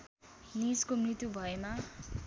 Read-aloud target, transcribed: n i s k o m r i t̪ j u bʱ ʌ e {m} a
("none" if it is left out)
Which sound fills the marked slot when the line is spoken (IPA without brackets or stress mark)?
m